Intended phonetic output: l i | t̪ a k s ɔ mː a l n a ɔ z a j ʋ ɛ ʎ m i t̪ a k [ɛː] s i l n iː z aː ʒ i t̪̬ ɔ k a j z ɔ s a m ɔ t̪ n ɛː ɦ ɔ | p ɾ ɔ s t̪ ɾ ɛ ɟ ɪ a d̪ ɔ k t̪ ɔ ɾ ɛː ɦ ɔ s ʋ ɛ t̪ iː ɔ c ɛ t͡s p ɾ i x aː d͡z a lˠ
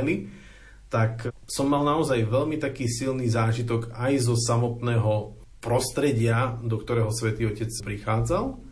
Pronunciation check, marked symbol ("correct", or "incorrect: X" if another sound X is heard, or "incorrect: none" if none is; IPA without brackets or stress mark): incorrect: iː